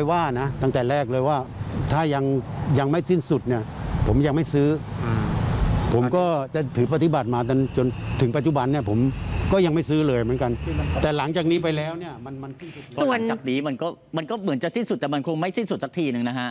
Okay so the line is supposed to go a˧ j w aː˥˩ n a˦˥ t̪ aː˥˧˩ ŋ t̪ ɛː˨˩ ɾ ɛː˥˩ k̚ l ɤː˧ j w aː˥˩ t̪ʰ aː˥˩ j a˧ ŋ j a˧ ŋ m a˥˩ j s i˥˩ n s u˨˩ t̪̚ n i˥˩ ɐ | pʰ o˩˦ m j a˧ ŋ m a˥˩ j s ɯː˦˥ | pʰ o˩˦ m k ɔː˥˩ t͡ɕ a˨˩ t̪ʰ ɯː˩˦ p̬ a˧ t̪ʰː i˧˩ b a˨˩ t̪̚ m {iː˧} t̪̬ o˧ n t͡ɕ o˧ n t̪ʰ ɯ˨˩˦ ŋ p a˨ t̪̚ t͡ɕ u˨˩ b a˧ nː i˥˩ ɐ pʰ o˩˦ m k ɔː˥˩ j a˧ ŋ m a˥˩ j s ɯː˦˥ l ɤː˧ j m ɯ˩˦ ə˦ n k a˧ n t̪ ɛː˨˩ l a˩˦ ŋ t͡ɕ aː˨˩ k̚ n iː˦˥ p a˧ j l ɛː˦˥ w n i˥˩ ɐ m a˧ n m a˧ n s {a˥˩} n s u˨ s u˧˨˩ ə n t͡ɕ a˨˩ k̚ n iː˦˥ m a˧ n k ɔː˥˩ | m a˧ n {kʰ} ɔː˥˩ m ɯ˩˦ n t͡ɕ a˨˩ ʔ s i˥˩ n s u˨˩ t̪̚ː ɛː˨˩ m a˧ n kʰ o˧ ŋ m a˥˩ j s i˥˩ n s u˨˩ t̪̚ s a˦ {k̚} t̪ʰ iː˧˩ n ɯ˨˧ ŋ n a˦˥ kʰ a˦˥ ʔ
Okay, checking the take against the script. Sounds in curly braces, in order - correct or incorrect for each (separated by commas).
incorrect, incorrect, incorrect, correct